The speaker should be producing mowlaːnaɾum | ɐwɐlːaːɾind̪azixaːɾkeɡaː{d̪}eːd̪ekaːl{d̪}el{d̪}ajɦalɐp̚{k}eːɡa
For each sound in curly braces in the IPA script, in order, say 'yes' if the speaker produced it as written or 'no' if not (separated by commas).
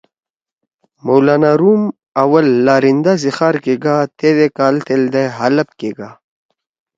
no, no, yes, yes